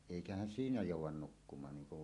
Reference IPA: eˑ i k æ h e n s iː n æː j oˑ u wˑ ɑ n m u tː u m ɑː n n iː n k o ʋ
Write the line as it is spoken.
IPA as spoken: eˑ i k æ h æ n s iː n æ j oˑ u wˑ ɑ n n u kː u m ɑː n n iː ŋ k u ʋ